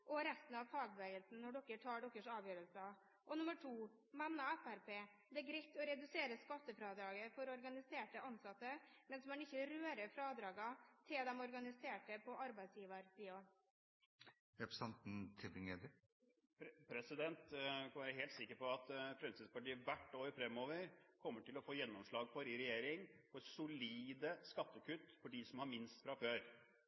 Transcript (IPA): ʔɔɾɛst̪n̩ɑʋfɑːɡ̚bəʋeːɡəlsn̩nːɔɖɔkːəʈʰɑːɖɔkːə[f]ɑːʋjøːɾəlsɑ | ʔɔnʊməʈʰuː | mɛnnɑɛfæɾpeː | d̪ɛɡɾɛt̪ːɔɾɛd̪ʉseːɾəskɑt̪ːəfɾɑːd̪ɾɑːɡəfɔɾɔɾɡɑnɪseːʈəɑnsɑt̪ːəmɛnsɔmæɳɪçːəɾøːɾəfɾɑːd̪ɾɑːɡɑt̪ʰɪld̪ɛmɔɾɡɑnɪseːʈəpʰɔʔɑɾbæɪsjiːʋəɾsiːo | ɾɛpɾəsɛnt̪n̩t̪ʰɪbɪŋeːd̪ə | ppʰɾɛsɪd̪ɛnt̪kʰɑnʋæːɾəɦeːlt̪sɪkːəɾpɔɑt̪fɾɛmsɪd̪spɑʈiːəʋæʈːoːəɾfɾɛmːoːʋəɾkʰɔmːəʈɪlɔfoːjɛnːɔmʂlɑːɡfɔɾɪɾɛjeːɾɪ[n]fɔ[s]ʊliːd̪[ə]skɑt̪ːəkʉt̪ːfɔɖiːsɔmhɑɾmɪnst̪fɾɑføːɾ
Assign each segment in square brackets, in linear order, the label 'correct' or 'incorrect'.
incorrect: ʂ, incorrect: ŋ, correct, correct

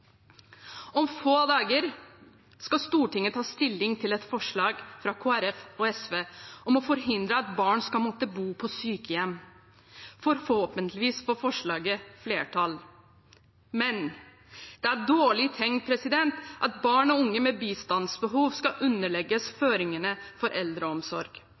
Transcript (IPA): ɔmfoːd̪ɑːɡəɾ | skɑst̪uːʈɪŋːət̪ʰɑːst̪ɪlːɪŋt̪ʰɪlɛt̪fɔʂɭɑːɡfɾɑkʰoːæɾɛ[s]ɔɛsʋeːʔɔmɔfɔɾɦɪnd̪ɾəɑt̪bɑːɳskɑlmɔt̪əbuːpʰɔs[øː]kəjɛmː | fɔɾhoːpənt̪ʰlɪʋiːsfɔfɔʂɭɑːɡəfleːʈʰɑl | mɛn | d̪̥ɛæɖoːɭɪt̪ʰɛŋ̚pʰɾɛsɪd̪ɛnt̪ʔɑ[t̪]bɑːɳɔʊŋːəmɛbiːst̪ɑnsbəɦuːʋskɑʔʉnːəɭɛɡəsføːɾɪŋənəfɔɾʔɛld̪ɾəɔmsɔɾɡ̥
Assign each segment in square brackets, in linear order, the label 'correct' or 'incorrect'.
incorrect: f, incorrect: yː, correct

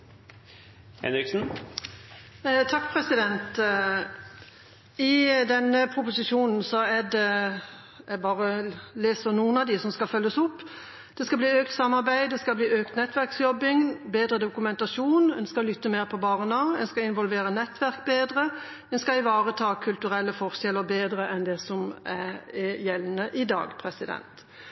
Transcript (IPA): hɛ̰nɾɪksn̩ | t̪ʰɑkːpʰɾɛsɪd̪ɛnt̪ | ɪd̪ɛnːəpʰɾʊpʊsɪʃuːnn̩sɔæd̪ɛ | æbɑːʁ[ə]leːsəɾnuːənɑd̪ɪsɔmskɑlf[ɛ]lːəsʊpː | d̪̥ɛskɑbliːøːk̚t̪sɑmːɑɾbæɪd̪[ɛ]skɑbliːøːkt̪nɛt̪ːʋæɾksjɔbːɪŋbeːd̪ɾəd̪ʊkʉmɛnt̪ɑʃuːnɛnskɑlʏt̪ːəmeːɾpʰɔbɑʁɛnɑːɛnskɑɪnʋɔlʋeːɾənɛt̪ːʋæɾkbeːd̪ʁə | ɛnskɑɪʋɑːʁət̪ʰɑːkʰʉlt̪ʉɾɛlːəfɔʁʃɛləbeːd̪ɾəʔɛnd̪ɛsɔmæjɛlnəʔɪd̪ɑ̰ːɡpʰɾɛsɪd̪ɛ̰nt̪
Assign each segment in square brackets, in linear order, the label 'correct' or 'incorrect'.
correct, incorrect: œ, correct

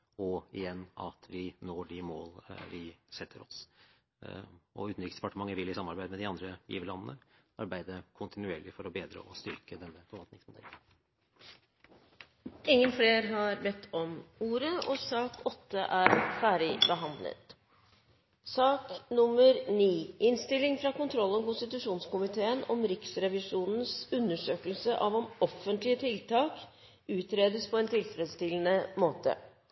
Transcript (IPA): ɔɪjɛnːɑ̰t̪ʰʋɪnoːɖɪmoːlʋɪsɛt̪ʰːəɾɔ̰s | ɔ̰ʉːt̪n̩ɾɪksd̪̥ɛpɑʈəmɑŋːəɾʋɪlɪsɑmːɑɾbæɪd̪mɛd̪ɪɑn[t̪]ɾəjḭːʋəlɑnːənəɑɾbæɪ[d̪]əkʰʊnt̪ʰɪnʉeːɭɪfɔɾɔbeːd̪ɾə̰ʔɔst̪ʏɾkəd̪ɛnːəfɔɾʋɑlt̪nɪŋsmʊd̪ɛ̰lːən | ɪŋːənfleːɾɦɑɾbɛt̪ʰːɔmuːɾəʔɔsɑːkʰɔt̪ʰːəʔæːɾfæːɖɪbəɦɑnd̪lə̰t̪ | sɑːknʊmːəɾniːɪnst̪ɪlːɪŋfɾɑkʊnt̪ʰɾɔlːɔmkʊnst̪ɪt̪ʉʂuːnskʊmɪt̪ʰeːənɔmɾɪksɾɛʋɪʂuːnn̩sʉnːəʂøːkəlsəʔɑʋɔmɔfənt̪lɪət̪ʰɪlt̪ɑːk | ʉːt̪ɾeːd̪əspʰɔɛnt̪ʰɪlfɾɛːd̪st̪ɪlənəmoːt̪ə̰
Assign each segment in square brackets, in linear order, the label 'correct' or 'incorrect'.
incorrect: d̪, correct

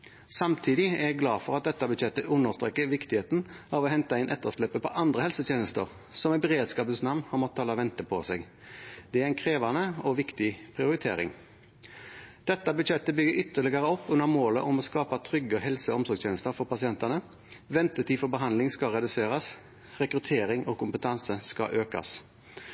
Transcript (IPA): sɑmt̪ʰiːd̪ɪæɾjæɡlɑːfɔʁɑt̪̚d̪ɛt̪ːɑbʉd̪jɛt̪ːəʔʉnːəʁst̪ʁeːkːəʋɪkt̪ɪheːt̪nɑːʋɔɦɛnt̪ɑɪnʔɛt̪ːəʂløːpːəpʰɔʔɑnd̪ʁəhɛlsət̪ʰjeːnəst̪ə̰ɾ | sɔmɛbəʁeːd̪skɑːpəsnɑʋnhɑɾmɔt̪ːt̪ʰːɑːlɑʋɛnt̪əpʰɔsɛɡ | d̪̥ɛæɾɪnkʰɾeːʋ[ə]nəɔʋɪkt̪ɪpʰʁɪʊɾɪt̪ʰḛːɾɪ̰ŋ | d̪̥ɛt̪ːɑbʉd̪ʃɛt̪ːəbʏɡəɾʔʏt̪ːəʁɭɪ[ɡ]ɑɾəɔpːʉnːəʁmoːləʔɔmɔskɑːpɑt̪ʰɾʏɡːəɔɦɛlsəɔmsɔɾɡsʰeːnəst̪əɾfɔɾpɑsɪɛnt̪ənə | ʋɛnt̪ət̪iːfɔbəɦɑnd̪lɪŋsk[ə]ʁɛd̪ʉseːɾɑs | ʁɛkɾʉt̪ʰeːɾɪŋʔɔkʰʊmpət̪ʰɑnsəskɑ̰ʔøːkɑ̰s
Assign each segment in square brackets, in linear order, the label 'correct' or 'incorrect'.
incorrect: ɑ, correct, incorrect: ɑ

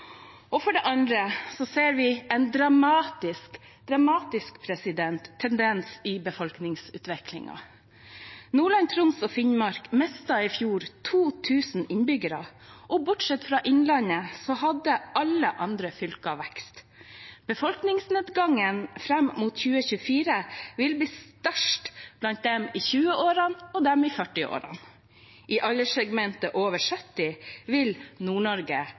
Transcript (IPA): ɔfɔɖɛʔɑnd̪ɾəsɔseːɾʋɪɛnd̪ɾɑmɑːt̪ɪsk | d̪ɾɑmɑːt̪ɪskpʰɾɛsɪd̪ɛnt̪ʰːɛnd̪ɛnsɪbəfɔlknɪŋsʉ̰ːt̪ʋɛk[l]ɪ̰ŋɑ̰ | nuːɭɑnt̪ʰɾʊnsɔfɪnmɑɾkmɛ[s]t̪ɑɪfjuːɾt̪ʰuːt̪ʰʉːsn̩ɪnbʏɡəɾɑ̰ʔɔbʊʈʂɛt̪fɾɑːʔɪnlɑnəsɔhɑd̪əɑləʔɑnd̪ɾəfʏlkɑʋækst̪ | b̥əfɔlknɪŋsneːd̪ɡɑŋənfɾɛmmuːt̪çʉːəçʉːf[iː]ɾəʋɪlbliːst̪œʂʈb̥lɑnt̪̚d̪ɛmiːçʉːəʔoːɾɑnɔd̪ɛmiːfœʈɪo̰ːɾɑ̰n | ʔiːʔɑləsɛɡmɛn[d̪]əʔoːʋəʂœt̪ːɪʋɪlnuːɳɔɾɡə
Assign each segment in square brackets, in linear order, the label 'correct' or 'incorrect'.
correct, correct, correct, incorrect: t̪

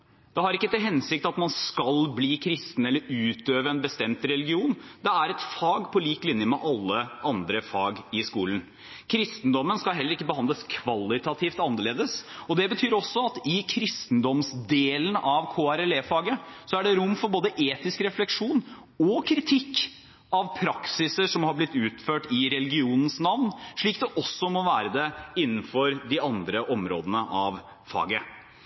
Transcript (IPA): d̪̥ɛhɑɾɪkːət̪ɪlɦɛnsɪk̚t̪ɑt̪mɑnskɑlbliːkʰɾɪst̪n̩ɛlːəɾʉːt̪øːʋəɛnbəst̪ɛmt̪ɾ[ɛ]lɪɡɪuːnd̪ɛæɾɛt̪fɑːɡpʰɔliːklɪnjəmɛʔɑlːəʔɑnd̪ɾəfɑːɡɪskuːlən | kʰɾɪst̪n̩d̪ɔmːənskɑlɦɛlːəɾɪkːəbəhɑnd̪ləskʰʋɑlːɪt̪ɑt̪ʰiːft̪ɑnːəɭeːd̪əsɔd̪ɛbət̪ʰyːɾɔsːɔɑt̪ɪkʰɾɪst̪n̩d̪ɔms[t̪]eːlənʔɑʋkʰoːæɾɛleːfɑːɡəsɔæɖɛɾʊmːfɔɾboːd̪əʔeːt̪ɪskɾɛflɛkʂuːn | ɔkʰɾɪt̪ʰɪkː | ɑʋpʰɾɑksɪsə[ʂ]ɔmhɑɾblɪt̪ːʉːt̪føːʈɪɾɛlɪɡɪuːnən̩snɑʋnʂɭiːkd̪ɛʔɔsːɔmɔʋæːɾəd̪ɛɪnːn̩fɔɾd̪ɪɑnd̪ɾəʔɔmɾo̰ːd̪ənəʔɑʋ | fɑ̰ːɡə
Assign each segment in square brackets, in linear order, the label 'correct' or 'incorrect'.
correct, incorrect: d̪, correct

